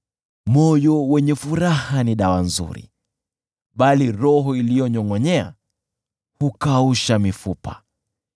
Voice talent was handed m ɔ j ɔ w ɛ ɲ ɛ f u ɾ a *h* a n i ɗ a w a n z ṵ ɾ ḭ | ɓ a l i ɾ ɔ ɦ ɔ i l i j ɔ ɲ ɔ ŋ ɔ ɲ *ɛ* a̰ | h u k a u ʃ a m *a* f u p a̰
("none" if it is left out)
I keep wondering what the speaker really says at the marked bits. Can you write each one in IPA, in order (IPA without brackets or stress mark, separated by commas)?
h, ɛ, i